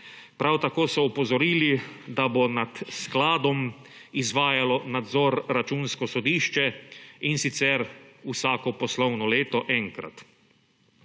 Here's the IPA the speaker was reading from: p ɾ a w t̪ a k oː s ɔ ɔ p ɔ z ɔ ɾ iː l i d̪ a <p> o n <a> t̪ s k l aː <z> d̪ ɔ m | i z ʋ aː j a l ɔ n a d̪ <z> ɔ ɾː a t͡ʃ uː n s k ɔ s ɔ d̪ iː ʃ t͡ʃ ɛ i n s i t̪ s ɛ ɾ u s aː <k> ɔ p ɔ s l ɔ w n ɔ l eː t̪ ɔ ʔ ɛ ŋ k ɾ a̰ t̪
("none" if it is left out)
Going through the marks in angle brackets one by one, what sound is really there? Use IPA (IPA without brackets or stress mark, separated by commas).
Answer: b, a, none, z, k